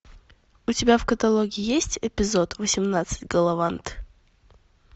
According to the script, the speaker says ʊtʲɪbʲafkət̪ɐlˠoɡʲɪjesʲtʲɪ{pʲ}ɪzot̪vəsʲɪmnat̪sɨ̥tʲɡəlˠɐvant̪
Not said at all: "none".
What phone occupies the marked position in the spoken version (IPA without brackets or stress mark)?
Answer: pʲ